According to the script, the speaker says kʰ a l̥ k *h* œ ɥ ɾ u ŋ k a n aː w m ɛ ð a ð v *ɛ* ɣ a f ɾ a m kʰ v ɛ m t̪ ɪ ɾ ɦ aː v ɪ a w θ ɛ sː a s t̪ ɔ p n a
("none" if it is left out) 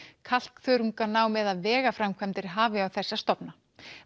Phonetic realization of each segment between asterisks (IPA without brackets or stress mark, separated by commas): θ, ɛː